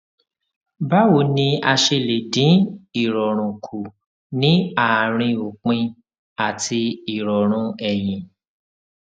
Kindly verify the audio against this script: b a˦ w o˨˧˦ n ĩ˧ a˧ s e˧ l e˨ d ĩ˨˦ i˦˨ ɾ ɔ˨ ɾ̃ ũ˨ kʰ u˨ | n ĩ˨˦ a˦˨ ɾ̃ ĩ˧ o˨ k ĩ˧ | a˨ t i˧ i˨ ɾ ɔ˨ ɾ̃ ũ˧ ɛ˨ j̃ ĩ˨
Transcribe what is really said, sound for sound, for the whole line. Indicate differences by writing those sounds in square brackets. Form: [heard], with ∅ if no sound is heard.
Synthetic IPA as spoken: b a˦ w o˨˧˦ n ĩ˧ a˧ [ʃ] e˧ l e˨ d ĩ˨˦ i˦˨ ɾ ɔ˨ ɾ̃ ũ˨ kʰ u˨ | n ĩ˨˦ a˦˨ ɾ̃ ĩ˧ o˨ [k͡p] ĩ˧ | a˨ t i˧ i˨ ɾ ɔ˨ ɾ̃ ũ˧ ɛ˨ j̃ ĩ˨

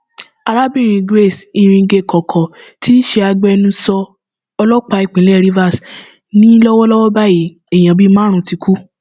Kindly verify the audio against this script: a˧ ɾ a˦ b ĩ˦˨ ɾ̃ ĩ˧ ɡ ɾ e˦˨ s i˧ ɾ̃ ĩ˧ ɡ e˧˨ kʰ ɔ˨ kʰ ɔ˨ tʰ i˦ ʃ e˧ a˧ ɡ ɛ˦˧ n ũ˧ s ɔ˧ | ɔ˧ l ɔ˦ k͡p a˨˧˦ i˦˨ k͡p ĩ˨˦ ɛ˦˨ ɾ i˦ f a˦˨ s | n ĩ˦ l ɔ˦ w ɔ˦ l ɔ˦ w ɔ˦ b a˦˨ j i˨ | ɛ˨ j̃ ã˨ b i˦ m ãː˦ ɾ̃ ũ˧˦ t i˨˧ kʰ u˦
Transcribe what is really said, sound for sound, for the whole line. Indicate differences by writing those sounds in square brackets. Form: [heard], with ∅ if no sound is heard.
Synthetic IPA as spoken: a˧ ɾ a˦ b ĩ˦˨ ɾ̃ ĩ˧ ɡ ɾ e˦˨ s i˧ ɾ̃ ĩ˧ ɡ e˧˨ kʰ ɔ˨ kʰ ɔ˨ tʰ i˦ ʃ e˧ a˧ [ɡ͡b] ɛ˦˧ n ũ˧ s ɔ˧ | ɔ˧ l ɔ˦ k͡p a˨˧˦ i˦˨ k͡p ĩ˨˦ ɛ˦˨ ɾ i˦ [v] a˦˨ s | n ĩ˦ l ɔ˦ w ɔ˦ l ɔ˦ w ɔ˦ b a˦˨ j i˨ | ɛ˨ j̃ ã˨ b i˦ m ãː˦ ɾ̃ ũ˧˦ t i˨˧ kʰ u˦

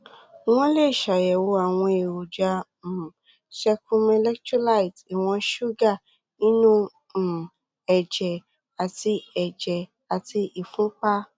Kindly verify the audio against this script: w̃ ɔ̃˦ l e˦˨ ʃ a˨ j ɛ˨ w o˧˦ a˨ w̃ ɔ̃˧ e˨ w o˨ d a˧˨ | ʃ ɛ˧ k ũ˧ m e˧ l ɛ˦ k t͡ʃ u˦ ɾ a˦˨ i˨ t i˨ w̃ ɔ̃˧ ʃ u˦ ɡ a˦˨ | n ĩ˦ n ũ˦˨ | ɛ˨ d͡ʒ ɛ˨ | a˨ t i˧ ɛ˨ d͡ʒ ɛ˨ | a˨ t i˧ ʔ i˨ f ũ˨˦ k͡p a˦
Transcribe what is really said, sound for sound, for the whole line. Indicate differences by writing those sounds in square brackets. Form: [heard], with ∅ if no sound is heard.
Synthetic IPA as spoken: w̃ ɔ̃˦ l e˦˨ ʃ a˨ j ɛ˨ w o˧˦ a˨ w̃ ɔ̃˧ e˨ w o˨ [d͡ʒ] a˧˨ | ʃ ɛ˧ k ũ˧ m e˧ l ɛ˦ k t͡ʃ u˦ [l] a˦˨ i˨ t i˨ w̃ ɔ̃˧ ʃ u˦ ɡ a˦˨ | n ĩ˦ n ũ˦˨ | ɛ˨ d͡ʒ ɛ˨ | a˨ t i˧ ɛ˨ d͡ʒ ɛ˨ | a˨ t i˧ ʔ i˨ f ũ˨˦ k͡p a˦

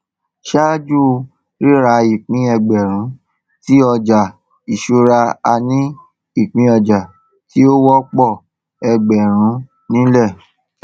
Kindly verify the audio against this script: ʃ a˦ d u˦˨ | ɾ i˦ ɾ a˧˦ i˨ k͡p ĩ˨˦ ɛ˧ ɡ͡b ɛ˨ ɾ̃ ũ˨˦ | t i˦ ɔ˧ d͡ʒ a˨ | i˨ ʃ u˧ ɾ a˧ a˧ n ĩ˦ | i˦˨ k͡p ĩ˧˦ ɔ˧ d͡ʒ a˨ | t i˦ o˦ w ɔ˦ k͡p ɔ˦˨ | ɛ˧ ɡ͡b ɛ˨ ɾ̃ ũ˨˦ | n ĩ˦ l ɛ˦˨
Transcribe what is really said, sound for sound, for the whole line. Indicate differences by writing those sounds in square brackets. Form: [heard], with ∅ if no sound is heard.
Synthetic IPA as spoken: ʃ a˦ [d͡ʒ] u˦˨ | ɾ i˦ ɾ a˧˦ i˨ k͡p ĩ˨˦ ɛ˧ ɡ͡b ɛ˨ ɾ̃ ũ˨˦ | t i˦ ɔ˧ d͡ʒ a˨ | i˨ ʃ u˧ ɾ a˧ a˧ n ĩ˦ | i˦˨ k͡p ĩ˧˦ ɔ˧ d͡ʒ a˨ | t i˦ o˦ w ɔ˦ k͡p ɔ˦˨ | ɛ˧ ɡ͡b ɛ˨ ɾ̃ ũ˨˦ | n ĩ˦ l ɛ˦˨

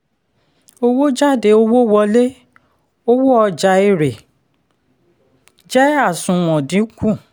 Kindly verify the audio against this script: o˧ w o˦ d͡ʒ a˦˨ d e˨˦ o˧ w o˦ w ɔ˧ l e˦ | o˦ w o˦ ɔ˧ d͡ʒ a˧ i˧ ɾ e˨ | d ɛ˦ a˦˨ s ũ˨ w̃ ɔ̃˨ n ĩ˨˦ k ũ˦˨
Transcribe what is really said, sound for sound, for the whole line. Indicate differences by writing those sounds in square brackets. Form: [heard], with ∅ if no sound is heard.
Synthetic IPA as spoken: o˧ w o˦ d͡ʒ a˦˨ d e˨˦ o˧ w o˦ w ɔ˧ l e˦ | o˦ w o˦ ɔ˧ d͡ʒ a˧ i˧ ɾ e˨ | [d͡ʒ] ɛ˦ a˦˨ s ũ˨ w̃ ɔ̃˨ [d] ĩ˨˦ k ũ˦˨

